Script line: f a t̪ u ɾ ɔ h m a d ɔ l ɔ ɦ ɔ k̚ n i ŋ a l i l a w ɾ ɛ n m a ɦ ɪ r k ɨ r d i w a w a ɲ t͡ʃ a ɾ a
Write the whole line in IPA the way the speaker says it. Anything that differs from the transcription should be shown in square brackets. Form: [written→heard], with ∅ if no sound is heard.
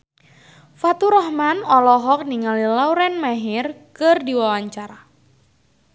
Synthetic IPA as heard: f a t̪ u ɾ ɔ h m a [d→n] ɔ l ɔ ɦ ɔ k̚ n i ŋ a l i l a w ɾ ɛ n m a ɦ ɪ r k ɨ r d i w a w a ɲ t͡ʃ a ɾ a